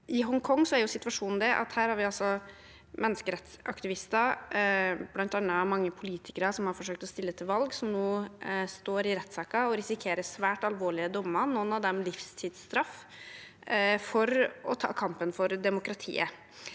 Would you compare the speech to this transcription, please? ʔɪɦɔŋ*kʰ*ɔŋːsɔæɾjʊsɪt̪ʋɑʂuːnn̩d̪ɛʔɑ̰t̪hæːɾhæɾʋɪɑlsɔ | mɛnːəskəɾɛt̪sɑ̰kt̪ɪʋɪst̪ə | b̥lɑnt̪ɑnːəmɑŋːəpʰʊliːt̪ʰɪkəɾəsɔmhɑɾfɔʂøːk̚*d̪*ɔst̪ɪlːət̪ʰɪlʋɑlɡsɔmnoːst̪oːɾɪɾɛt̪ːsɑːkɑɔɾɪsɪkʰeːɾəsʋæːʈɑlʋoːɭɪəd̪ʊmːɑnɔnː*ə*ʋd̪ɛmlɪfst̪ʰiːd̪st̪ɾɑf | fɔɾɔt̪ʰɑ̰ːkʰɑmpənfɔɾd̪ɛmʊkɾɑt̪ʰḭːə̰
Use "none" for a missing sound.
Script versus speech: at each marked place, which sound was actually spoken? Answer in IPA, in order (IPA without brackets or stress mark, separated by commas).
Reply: kʰ, t̪, ɑ